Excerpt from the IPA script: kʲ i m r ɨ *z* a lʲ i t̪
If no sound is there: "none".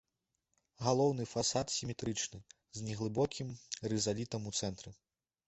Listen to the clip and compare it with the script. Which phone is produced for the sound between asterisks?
z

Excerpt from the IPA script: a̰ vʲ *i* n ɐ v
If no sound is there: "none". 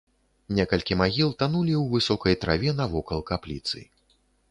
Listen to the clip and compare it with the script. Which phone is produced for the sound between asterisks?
ɛ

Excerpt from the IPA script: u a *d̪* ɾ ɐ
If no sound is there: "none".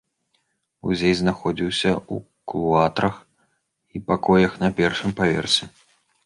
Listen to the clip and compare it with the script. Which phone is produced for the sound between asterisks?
t̪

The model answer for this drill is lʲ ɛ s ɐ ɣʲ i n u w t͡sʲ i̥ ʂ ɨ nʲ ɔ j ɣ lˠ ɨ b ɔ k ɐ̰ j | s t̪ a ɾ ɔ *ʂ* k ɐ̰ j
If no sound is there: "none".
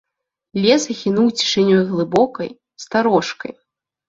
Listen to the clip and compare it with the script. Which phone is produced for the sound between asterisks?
ʂ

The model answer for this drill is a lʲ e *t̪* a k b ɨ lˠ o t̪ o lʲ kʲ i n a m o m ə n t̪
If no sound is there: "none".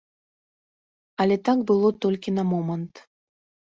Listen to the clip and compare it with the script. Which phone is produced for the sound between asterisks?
t̪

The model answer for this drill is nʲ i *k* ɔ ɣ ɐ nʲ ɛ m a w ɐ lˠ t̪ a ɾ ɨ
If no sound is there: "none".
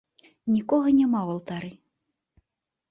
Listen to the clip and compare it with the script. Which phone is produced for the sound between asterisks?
k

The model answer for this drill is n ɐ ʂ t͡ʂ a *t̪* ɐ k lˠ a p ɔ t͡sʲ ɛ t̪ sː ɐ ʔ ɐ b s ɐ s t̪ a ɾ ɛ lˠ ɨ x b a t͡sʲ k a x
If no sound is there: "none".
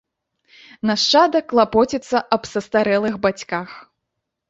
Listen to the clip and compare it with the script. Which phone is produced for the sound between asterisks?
d̪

